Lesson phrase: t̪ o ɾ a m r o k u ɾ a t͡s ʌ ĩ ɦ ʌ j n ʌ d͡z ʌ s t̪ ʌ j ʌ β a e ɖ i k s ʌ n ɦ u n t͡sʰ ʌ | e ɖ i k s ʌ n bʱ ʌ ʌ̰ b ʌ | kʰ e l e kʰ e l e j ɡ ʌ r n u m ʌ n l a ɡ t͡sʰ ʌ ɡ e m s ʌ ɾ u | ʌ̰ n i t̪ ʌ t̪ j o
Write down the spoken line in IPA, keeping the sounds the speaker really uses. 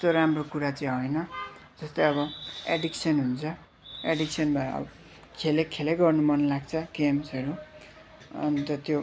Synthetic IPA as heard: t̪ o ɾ a m r o k u ɾ a t͡s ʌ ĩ ɦ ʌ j n ʌ d͡z ʌ s t̪ ʌ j ʌ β ʌ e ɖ i k s ʌ n ɦ u n t͡sʰ ʌ | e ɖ i k s ʌ n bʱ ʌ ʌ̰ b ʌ | kʰ e l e kʰ e l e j ɡ ʌ r n u m ʌ n l a ɡ t͡sʰ ʌ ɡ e m s ʌ ɾ u | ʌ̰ n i t̪ ʌ t̪ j o

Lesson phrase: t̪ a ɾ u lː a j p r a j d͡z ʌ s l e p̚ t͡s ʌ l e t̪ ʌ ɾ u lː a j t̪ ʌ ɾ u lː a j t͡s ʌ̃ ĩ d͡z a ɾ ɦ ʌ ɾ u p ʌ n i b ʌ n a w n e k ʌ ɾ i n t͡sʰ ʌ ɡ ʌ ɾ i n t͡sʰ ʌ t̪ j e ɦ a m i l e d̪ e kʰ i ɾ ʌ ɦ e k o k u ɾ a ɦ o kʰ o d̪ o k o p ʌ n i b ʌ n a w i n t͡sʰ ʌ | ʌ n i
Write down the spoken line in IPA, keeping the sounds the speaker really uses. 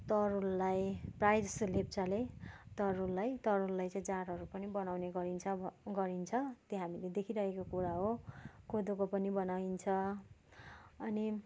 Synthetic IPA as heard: t̪ ʌ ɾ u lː a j p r a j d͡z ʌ s l e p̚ t͡s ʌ l e t̪ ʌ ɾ u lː a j t̪ ʌ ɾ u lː a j t͡s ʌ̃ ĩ d͡z a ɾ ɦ ʌ ɾ u p ʌ n i b ʌ n a w n e ɡ ʌ ɾ i n t͡sʰ ʌ ɡ ʌ ɾ i n t͡sʰ ʌ t̪ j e ɦ a m i l e d̪ e kʰ i ɾ ʌ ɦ e k o k u ɾ a ɦ o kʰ o d̪ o k o p ʌ n i b ʌ n a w i n t͡sʰ ʌ | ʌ n i

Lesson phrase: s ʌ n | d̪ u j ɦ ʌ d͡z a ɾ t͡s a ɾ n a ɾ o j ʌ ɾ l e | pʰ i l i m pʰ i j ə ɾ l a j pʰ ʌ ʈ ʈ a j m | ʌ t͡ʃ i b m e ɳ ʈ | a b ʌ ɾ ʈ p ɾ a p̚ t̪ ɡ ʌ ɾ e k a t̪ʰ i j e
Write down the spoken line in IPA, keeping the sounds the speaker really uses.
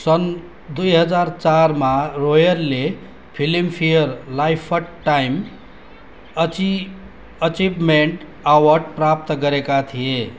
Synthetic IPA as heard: s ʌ n | d̪ u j ɦ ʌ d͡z a ɾ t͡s a ɾ m a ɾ o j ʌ ɾ l e | pʰ i l i m pʰ i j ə ɾ l a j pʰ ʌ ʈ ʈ a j m | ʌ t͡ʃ i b m e ɳ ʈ | a w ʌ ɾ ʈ p ɾ a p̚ t̪ ɡ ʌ ɾ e k a t̪ʰ i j e

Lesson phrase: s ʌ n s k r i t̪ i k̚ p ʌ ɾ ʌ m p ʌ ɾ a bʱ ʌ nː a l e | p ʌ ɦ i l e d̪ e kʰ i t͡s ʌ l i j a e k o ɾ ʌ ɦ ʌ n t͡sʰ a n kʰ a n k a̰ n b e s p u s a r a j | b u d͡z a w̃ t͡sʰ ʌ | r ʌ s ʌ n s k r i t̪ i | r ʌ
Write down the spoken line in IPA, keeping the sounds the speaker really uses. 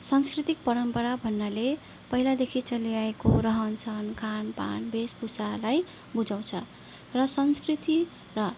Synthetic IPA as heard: s ʌ n s k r i t̪ i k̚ p ʌ ɾ ʌ m p ʌ ɾ a bʱ ʌ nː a l e | p ʌ ɦ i l a d̪ e kʰ i t͡s ʌ l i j a e k o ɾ ʌ ɦ ʌ n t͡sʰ ʌ n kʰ a n p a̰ n b e s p u s a l a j | b u d͡z a w̃ t͡sʰ ʌ | r ʌ s ʌ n s k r i t̪ i | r ʌ

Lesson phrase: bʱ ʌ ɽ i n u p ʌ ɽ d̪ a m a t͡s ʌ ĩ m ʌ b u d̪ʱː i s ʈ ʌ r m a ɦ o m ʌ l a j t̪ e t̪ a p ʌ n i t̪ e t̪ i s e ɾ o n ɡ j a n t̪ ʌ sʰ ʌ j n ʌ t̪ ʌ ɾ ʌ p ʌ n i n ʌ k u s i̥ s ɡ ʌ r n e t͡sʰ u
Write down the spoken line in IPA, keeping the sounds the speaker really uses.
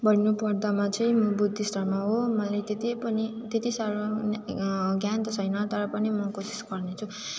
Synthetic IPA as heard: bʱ ʌ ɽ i n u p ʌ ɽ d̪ a m a t͡s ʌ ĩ m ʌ b u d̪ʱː i s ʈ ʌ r m a ɦ o m ʌ l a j t̪ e t̪ i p ʌ n i t̪ e t̪ i s a ɾ o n ɡ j a n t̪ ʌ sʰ ʌ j n ʌ t̪ ʌ ɾ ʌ p ʌ n i m ʌ k o s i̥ s ɡ ʌ r n e t͡sʰ u

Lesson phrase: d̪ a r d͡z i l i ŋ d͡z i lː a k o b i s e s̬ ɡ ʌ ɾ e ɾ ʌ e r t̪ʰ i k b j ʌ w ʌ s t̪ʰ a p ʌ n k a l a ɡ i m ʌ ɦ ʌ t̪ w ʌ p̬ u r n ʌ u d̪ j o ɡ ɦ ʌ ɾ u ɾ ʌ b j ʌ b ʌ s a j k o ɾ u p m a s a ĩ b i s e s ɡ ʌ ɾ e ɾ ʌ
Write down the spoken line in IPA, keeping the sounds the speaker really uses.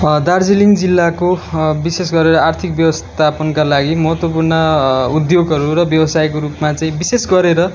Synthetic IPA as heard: d̪ a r d͡z i l i ŋ d͡z i lː a k o b i s e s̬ ɡ ʌ ɾ e ɾ ʌ a r t̪ʰ i k b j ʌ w ʌ s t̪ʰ a p ʌ n k a l a ɡ i m ʌ ɦ ʌ t̪ w ʌ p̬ u r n ʌ u d̪ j o ɡ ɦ ʌ ɾ u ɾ ʌ b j ʌ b ʌ s a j k o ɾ u p m a t͡s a ĩ b i s e s ɡ ʌ ɾ e ɾ ʌ

